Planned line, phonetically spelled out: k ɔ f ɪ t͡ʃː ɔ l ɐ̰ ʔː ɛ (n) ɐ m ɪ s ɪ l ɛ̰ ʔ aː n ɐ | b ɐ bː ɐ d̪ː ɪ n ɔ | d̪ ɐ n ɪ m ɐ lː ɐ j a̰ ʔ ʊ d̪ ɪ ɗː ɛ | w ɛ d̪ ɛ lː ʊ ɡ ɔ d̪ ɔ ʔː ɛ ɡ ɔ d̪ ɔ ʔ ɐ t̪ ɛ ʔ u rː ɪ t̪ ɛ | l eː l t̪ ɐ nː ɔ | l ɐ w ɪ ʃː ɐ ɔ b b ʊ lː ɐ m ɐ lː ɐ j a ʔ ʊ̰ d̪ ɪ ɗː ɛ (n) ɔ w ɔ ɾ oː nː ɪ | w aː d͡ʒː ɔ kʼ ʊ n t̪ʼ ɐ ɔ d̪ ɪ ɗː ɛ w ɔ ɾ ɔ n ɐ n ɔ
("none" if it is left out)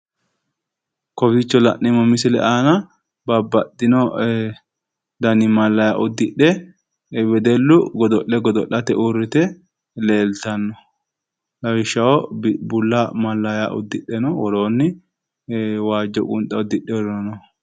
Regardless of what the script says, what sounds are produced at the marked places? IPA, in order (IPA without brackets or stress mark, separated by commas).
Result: m, n